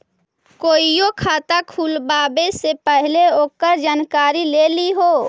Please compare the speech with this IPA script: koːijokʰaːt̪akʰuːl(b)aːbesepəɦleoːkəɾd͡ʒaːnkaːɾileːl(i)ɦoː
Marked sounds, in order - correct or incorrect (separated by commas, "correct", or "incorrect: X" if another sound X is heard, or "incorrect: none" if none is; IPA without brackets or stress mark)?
correct, correct